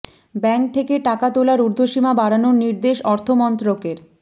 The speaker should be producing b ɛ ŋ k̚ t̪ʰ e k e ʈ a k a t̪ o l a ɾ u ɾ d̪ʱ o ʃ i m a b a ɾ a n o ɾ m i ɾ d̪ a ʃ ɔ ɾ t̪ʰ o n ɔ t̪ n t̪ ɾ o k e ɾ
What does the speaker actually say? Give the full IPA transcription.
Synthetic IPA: b ɛ ŋ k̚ t̪ʰ e k e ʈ a k a t̪ o l a ɾ u ɾ d̪ʱ o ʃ i m a b a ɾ a n o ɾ n i ɾ d̪ e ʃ ɔ ɾ t̪ʰ o m ɔ n t̪ ɾ o k e ɾ